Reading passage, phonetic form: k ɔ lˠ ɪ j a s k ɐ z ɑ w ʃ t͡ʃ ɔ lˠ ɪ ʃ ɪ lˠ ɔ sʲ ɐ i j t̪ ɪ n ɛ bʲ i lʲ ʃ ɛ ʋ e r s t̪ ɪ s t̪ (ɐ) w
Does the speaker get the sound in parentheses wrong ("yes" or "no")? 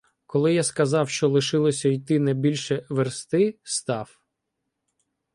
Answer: yes